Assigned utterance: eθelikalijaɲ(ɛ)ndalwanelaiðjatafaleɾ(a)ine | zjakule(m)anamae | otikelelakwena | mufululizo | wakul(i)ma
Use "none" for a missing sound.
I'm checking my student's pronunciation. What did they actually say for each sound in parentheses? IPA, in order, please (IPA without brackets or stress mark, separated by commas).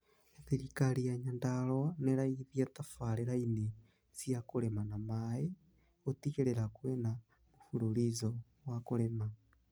a, a, m, e